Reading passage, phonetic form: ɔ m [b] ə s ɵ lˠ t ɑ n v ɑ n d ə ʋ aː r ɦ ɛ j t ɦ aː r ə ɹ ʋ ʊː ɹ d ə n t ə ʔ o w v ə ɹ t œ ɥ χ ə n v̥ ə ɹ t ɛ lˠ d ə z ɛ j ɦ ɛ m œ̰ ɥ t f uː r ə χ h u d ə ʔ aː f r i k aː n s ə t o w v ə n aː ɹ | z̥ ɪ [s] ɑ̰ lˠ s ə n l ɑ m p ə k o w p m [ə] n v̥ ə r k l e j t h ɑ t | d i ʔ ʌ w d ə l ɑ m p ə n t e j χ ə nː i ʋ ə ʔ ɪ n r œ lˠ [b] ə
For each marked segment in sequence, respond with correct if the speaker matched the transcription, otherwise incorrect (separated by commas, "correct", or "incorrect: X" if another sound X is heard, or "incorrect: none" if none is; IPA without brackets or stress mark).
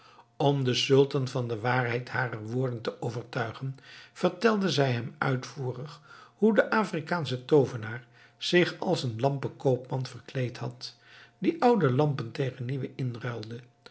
incorrect: d, incorrect: χ, incorrect: ɑ, incorrect: d